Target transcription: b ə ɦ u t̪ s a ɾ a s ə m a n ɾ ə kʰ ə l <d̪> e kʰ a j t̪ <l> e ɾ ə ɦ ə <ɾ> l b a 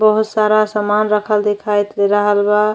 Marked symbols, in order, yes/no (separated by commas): yes, yes, no